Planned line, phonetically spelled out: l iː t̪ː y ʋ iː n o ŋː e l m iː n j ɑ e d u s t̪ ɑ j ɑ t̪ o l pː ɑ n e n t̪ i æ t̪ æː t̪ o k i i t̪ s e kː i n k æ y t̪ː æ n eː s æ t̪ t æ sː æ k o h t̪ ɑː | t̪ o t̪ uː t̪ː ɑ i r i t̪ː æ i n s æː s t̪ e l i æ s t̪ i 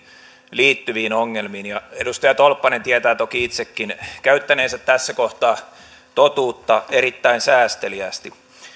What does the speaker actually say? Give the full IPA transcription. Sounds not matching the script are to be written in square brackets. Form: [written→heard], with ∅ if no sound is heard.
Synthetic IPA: l iː t̪ː y ʋ iː n o ŋː e l m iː n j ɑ e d u s t̪ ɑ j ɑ t̪ o l pː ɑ n e n t̪ i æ t̪ æː t̪ o k i i t̪ s e kː i n k æ y t̪ː æ n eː s æ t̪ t æ sː æ k o h t̪ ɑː | t̪ o t̪ uː t̪ː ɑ [i→e] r i t̪ː æ i n s æː s t̪ e l i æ s t̪ i